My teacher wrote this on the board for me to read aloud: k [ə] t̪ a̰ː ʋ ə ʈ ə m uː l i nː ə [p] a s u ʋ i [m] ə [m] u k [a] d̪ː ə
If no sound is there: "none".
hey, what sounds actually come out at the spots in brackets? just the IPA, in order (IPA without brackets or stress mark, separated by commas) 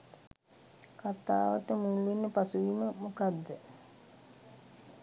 a, p, m, m, a